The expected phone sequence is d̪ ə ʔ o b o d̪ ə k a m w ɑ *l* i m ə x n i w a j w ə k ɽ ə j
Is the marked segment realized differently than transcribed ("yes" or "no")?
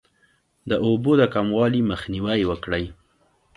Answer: no